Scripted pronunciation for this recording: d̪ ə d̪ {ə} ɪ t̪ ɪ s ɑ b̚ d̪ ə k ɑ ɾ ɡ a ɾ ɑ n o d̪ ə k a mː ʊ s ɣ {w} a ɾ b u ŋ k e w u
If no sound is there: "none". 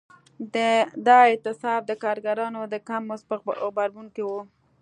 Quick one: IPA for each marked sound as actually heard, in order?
ɑ, b

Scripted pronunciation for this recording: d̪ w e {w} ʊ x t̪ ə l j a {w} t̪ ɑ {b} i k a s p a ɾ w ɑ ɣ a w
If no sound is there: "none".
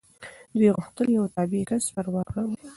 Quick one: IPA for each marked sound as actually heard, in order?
ɣ, w, b

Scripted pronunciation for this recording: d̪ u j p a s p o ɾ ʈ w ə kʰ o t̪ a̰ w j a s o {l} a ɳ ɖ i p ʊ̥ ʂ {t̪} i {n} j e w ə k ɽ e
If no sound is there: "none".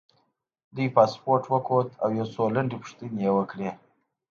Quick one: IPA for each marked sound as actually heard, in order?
l, t̪, n

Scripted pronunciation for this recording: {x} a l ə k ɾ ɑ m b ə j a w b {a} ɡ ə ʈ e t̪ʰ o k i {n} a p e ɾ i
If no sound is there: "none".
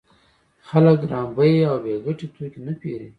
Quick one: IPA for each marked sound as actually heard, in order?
x, e, n

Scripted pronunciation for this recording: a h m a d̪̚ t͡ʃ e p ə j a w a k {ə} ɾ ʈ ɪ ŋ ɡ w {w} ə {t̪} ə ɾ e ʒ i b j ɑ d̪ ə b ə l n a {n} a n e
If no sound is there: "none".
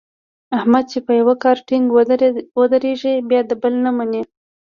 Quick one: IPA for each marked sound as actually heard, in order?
ɑ, w, d̪, m

